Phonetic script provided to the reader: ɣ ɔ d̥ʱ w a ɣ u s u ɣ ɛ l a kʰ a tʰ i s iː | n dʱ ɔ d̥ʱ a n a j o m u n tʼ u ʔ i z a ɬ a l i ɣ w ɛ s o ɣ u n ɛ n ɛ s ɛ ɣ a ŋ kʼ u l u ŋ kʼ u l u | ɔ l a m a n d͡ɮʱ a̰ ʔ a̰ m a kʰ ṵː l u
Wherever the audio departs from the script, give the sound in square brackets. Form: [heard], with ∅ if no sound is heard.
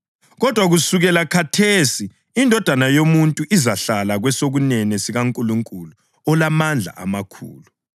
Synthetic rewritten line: ɣ ɔ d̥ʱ w a ɣ u s u ɣ ɛ l a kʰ a tʰ [e] s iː | n dʱ ɔ d̥ʱ a n a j o m u n tʼ u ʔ i z a ɬ a l [a] ɣ w ɛ s o ɣ u n ɛ n ɛ s [i] ɣ a ŋ kʼ u l u ŋ kʼ u l u | ɔ l a m a n d͡ɮʱ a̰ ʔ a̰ m a kʰ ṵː l u